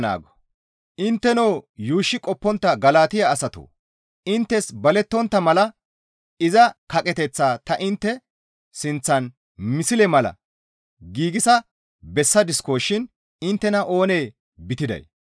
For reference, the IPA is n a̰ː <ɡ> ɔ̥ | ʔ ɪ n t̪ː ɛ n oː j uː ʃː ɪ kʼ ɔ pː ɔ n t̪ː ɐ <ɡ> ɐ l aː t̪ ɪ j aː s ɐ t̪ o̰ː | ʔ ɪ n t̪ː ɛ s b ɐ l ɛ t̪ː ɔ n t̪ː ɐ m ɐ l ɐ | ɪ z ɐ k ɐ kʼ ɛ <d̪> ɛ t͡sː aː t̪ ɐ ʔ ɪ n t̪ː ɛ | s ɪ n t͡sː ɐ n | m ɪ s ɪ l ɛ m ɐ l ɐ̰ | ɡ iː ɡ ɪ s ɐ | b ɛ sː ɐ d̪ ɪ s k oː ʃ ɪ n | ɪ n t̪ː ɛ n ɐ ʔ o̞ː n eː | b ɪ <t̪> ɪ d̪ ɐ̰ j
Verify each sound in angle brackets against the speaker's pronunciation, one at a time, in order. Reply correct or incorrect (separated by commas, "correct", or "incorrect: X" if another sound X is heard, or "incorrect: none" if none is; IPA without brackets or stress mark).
correct, correct, incorrect: t̪, correct